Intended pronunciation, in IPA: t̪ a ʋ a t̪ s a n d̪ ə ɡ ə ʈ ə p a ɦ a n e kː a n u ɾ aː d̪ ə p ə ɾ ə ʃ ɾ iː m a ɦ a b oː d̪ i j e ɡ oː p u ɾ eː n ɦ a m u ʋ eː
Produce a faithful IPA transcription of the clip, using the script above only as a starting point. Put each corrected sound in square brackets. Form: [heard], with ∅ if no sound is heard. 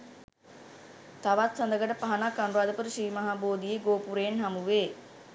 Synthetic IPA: t̪ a ʋ a t̪ s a n d̪ ə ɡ ə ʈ ə p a ɦ a n [a] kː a n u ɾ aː d̪ ə p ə ɾ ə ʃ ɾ iː m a ɦ a b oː d̪ i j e ɡ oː p u ɾ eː n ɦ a m u ʋ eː